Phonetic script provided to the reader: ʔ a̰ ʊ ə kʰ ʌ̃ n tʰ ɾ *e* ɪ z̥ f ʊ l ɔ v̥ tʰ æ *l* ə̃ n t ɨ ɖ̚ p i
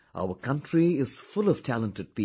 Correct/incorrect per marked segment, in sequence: incorrect: i, correct

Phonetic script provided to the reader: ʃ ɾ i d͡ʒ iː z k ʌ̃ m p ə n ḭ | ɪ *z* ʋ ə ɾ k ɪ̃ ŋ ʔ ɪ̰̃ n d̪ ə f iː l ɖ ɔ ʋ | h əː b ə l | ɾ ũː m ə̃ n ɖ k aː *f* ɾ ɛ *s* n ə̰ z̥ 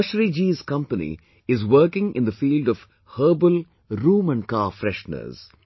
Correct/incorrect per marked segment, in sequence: correct, correct, incorrect: ʃ

